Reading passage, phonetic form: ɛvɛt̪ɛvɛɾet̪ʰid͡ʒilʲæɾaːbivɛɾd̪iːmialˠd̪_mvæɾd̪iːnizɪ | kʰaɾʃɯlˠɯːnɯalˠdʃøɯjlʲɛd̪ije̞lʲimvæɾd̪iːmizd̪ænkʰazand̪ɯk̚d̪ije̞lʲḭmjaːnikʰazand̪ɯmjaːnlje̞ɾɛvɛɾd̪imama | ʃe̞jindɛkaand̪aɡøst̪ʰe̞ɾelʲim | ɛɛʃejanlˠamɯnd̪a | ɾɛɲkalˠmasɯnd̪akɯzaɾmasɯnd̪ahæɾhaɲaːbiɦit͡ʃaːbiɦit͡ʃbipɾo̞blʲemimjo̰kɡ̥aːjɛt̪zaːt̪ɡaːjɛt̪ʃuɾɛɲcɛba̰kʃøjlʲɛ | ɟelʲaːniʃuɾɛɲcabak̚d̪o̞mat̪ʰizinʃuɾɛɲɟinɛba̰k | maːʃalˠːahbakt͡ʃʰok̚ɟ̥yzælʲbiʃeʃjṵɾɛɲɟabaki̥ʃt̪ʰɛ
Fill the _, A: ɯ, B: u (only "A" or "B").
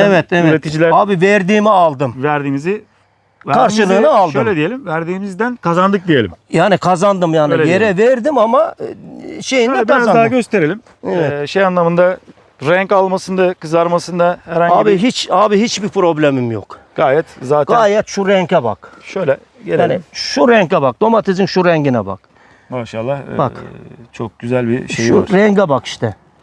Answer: A